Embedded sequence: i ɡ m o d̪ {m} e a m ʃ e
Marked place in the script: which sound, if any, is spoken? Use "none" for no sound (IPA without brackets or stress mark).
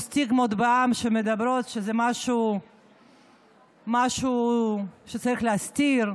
b